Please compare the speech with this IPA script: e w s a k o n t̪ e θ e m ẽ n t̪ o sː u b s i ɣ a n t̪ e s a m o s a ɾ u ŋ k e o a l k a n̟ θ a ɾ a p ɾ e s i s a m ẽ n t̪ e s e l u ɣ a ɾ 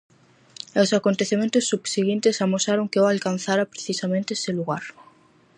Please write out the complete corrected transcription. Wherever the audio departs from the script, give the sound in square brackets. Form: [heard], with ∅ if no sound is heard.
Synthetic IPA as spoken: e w s a k o n t̪ e θ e m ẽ n t̪ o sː u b s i ɣ [i] n t̪ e s a m o s a ɾ [o] ŋ k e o a l k a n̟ θ a ɾ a p ɾ e [θ] i s a m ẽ n t̪ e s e l u ɣ a ɾ